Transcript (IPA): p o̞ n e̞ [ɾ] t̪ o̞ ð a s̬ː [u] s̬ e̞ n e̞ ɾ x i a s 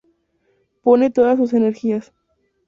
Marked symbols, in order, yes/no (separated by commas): no, yes